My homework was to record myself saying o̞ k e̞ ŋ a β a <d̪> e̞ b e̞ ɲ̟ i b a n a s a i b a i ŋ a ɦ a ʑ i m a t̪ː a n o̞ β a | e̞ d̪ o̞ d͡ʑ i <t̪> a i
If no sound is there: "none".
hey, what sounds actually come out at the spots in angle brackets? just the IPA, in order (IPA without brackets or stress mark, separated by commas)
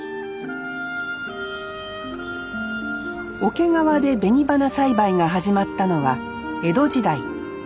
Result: d̪, d̪